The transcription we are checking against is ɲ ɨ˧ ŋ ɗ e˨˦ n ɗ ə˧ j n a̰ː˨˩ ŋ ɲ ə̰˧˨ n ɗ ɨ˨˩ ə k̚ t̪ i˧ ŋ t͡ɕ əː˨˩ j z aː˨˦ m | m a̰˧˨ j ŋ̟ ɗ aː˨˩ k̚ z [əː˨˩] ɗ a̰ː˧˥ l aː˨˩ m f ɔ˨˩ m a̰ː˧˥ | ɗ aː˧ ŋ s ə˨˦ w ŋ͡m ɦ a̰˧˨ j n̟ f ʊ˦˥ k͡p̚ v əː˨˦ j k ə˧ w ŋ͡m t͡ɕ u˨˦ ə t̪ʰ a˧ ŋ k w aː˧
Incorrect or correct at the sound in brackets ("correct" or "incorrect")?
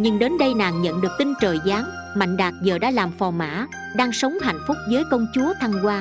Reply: correct